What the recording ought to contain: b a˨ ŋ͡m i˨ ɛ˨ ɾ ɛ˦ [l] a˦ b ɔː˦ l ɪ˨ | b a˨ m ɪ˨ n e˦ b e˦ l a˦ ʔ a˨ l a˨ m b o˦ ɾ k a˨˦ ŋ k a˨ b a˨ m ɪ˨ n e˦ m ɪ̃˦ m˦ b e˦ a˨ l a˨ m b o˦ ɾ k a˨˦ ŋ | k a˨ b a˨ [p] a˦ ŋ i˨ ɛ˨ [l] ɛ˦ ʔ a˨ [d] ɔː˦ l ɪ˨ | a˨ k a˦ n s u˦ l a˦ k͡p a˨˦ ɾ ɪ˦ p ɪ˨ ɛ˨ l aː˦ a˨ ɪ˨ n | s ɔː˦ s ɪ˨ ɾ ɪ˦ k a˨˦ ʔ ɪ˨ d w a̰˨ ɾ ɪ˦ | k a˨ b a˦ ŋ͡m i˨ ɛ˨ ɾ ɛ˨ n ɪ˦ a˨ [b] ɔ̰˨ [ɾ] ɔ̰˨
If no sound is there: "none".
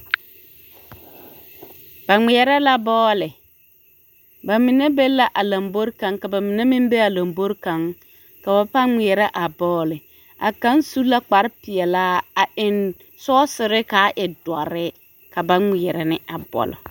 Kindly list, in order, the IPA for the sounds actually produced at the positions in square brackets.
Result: l, p, ɾ, b, b, l

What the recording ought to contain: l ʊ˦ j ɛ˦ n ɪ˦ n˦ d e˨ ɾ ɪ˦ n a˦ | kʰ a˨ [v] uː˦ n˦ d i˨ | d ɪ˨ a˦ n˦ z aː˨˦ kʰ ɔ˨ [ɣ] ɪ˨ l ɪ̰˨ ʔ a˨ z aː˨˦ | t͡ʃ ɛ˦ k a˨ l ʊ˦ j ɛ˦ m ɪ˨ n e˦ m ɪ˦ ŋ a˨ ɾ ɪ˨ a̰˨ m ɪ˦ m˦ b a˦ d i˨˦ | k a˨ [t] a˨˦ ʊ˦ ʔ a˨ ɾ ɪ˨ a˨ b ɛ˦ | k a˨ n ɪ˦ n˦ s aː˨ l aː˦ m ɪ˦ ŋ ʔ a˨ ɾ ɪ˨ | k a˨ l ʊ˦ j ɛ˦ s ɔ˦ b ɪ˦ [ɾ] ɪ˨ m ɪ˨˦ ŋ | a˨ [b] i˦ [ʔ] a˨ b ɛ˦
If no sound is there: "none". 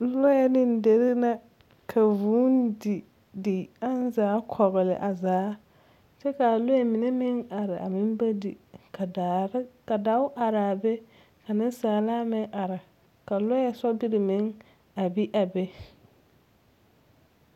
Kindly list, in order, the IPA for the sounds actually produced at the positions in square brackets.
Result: v, ɣ, d, ɾ, b, ʔ

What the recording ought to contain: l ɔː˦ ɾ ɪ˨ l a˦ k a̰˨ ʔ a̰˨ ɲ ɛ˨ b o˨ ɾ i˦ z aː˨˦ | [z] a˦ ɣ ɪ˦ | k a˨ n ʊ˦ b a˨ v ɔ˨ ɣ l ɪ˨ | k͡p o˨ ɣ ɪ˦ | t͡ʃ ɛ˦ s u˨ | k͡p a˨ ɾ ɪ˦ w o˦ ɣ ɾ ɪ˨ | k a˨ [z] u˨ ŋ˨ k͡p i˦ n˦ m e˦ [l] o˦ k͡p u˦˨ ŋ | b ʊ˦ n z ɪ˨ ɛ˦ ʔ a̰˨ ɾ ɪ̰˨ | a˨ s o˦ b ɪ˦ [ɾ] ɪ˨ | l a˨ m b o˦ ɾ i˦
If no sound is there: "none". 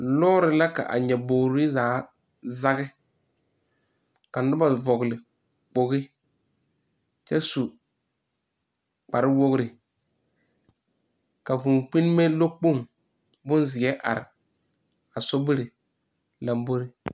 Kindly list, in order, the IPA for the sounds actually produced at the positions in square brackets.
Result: z, v, l, ɾ

